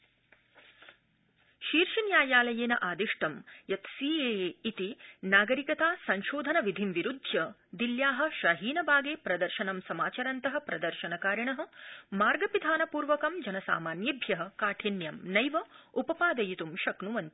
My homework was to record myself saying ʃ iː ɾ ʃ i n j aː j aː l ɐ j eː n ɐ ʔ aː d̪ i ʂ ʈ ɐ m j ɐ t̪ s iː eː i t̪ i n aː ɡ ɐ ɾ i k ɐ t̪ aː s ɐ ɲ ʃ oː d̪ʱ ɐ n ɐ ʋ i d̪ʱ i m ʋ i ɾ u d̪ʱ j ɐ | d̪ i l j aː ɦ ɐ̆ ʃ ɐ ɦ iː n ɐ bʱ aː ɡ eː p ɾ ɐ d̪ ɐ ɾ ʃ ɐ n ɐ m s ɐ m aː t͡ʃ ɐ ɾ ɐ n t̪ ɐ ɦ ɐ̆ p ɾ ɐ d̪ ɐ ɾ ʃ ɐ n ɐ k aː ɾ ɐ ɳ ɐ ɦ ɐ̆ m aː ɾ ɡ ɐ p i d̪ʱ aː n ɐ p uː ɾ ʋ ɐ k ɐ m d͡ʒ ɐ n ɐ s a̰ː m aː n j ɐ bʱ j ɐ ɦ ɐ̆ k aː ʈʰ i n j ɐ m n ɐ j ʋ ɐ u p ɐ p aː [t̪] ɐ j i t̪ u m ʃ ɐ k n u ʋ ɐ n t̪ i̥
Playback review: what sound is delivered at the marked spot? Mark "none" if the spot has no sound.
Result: d̪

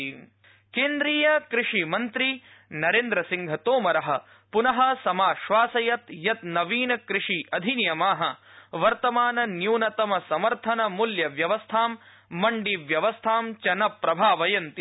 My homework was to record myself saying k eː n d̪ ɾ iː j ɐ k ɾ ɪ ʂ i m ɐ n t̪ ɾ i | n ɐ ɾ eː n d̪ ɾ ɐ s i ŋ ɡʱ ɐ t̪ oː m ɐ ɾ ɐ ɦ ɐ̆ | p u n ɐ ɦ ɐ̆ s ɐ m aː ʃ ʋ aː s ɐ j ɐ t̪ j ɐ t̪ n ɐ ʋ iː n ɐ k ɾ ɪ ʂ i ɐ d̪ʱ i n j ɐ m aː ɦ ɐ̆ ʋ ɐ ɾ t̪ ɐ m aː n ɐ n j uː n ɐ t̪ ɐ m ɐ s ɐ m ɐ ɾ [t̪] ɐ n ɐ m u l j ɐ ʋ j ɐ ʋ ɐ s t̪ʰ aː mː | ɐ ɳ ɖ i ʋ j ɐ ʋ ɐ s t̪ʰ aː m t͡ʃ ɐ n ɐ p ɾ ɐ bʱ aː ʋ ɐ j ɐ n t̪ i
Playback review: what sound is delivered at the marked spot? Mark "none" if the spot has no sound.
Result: t̪ʰ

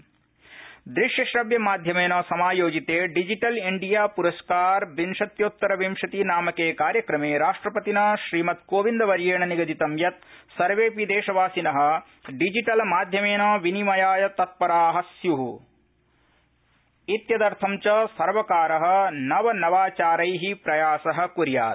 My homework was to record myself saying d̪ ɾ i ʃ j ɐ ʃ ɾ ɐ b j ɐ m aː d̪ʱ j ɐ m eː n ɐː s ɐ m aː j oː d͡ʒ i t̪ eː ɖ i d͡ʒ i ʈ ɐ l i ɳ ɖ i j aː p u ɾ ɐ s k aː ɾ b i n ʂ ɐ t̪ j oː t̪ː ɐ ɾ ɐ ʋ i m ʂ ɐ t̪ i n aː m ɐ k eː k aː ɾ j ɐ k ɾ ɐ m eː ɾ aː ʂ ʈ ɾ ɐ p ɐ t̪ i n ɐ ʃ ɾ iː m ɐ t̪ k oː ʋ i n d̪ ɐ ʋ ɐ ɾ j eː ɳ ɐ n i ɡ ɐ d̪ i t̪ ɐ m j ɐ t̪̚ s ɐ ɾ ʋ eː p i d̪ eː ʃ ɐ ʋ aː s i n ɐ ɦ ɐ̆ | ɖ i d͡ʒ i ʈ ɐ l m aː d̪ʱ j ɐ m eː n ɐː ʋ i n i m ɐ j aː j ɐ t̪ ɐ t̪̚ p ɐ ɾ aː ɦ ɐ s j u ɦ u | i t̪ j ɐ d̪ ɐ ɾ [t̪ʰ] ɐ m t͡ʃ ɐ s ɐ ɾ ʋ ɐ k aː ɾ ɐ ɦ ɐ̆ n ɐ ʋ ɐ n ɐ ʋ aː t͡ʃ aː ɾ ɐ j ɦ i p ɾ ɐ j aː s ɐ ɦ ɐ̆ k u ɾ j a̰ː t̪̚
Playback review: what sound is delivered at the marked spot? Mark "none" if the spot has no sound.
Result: t̪ʰ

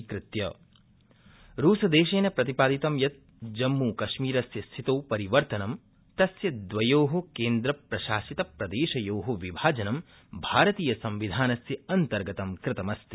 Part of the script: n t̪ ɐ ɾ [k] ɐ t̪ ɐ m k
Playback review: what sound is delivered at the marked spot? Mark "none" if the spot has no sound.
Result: ɡ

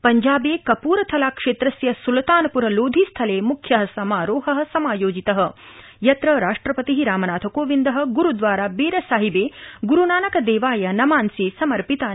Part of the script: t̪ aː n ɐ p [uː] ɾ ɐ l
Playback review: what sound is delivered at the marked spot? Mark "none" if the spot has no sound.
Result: u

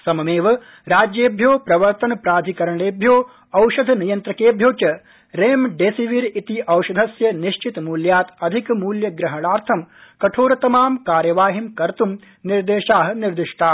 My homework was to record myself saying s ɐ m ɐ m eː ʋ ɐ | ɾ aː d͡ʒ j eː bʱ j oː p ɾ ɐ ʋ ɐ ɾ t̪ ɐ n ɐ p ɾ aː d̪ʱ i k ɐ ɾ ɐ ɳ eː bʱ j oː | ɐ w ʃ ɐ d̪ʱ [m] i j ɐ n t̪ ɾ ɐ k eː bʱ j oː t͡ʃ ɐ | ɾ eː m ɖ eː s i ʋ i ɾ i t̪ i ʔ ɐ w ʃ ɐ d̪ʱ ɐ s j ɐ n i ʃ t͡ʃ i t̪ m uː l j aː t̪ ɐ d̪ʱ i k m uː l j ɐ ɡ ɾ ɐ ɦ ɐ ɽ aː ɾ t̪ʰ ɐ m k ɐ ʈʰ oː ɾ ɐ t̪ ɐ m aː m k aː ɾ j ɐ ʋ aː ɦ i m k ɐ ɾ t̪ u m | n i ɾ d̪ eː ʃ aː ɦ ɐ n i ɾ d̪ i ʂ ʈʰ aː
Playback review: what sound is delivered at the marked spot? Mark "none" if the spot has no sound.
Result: n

